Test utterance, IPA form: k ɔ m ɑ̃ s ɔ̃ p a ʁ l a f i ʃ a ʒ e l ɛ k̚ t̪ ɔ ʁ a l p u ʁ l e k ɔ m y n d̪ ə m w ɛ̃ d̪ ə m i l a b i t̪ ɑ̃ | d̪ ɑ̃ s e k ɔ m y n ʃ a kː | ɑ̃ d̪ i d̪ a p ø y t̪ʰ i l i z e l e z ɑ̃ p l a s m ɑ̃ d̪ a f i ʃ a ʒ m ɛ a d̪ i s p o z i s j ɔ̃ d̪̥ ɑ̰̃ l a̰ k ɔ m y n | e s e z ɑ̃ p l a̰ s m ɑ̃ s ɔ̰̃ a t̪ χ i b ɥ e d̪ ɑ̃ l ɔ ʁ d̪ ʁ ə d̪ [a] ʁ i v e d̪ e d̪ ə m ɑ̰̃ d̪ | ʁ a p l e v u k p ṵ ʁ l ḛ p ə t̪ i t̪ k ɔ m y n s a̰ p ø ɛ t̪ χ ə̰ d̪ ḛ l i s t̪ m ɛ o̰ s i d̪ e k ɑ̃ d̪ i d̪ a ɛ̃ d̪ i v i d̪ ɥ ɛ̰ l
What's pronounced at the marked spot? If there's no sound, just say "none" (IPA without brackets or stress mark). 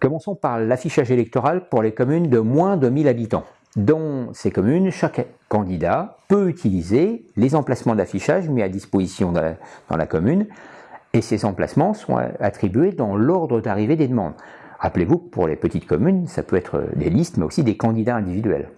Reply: a